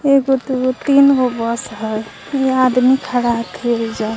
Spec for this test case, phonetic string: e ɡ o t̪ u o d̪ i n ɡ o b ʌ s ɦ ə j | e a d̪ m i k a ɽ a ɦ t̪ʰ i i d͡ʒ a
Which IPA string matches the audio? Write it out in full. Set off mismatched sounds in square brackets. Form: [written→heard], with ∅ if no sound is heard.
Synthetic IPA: e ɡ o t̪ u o [d̪→t̪] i n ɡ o b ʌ s ɦ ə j | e a d̪ m i [k→kʰ] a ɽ a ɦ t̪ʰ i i d͡ʒ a